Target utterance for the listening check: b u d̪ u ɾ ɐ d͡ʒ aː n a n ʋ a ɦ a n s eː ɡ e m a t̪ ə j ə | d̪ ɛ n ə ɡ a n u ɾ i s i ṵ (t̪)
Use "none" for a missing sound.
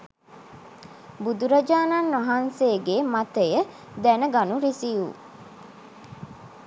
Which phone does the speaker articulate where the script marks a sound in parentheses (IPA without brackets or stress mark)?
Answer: none